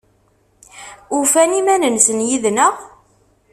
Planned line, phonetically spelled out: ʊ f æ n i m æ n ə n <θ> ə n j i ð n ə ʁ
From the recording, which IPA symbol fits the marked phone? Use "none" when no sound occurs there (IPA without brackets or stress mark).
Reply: s